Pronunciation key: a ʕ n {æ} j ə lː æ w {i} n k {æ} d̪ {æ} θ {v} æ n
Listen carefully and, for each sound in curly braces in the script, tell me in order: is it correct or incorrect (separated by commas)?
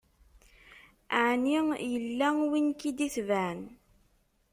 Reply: incorrect, correct, incorrect, incorrect, correct